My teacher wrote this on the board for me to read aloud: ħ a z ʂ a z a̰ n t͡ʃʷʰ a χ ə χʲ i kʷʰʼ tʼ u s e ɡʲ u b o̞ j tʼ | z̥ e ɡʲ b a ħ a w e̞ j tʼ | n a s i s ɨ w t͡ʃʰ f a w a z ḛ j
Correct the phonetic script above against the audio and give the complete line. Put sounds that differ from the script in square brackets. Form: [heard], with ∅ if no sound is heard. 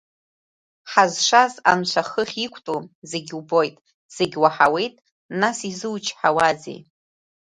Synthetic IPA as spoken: ħ a z ʂ a z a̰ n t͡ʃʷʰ a χ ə χʲ i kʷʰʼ tʼ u [z] e ɡʲ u b o̞ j tʼ | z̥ e ɡʲ [w] a ħ a w e̞ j tʼ | n a s i [z] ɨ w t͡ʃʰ [ħ] a w a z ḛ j